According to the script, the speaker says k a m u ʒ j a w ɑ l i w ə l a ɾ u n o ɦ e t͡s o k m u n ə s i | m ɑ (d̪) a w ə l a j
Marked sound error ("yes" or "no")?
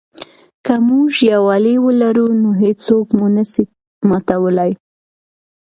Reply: yes